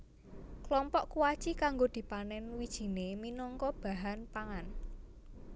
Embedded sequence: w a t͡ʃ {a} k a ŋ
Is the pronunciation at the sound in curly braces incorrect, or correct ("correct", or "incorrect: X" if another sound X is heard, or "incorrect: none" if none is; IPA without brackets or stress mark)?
incorrect: i